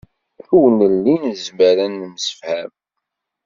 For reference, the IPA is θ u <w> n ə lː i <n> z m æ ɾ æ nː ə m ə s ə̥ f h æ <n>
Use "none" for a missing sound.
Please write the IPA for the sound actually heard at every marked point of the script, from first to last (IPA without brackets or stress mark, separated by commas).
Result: w, n, m